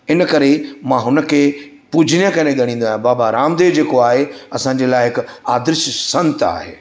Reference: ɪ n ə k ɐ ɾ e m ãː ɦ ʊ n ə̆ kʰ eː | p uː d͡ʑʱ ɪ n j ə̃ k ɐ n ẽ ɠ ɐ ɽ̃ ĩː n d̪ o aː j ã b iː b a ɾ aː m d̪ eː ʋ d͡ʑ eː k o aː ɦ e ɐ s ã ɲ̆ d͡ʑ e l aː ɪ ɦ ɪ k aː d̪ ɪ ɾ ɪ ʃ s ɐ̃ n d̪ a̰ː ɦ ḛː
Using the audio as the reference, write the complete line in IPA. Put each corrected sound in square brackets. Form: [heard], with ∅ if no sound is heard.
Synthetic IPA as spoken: ɪ n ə k ɐ ɾ e m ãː ɦ ʊ n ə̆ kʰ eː | p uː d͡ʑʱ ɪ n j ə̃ k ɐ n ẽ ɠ ɐ ɽ̃ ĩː n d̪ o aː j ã b [aː] b a ɾ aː m d̪ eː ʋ d͡ʑ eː k o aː ɦ e ɐ s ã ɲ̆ d͡ʑ e l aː ɪ ɦ ɪ k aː d̪ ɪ ɾ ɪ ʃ s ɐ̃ n [t̪] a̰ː ɦ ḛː